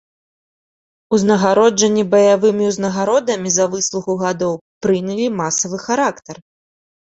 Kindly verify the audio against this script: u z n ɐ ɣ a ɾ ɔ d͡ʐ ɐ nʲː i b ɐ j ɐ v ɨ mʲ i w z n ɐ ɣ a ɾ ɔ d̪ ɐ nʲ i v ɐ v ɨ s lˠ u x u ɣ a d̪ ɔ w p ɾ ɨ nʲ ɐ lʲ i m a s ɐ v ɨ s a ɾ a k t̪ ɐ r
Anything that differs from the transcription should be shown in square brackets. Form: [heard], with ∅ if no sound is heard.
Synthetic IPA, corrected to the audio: u z n ɐ ɣ a ɾ ɔ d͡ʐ ɐ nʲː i b ɐ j [a] v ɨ mʲ i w z n ɐ ɣ a ɾ ɔ d̪ ɐ [mʲ] i [z] ɐ v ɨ s lˠ u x u ɣ a d̪ ɔ w p ɾ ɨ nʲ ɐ lʲ i m a s ɐ v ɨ [x] a ɾ a k t̪ ɐ r